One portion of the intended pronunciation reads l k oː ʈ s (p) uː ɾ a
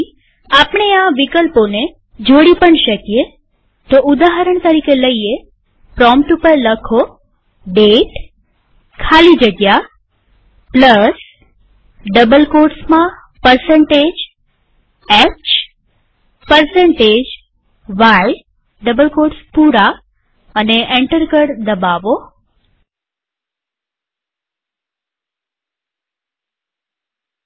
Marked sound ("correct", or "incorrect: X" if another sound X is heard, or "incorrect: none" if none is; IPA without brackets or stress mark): correct